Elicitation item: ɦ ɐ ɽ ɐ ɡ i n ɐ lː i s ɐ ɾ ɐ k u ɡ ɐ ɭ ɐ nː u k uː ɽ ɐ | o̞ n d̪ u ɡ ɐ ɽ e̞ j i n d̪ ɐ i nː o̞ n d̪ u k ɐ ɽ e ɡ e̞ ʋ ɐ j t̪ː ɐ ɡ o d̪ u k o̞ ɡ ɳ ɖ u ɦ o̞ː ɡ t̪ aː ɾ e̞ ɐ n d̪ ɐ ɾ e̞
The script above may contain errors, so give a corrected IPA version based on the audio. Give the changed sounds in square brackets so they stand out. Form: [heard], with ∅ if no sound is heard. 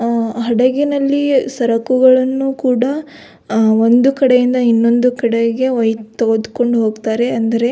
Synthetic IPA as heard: ɦ ɐ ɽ ɐ ɡ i n ɐ lː i s ɐ ɾ ɐ k u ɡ ɐ ɭ ɐ nː u k uː ɽ ɐ | o̞ n d̪ u [k] ɐ ɽ e̞ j i n d̪ ɐ i nː o̞ n d̪ u k ɐ ɽ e ɡ e̞ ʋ ɐ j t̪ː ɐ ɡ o d̪ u k o̞ [∅] ɳ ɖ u ɦ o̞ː ɡ t̪ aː ɾ e̞ ɐ n d̪ ɐ ɾ e̞